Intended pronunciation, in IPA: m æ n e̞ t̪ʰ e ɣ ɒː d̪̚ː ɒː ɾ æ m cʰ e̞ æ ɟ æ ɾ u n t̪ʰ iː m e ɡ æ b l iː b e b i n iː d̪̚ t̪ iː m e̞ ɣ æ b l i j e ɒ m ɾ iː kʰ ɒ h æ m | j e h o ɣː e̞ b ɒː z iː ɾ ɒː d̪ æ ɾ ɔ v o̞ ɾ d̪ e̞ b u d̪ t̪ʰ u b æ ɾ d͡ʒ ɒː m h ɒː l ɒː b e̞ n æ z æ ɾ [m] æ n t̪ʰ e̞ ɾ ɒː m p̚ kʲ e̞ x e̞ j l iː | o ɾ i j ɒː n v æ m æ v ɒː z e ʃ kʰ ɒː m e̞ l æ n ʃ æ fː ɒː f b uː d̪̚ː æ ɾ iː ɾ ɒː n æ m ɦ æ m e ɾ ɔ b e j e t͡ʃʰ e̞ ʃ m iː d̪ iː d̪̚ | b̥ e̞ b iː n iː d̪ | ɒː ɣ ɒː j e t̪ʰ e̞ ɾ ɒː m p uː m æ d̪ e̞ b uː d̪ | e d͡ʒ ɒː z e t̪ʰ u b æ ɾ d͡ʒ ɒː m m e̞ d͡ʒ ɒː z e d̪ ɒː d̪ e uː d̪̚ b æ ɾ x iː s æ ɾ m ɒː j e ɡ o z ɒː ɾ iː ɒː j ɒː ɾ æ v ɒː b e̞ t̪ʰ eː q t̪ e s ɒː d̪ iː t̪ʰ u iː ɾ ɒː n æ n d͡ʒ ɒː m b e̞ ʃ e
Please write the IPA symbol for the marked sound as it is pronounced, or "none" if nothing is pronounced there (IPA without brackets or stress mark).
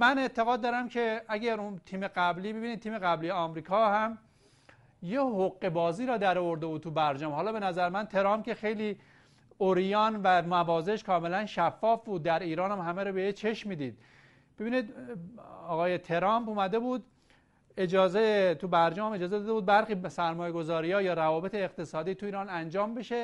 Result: m